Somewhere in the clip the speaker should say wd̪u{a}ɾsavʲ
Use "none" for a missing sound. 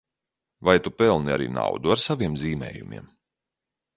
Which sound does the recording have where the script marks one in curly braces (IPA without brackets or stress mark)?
a